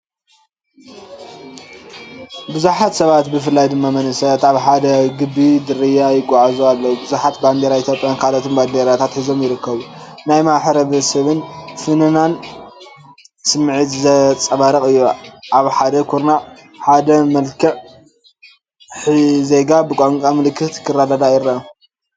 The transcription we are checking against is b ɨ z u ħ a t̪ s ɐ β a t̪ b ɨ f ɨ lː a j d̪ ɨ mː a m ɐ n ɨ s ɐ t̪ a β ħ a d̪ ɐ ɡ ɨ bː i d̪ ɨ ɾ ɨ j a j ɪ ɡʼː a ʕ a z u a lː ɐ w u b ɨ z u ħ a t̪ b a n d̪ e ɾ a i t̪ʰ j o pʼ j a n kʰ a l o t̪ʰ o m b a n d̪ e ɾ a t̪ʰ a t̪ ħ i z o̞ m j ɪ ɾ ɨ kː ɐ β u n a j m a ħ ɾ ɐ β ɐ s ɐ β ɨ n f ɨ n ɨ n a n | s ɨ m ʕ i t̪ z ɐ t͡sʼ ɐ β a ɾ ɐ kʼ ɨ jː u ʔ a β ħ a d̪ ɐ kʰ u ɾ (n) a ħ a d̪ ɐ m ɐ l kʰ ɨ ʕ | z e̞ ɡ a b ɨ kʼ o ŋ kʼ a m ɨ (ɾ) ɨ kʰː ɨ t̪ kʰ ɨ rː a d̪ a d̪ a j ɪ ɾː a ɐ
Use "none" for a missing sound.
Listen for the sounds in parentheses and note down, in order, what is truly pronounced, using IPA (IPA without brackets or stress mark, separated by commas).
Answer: n, l